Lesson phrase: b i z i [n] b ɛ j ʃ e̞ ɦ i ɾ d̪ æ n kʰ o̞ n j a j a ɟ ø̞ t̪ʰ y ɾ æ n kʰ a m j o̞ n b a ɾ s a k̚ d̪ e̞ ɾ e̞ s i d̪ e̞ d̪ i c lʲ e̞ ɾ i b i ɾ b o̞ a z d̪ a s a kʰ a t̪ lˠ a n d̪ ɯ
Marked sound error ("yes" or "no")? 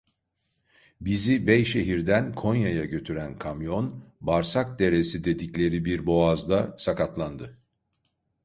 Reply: yes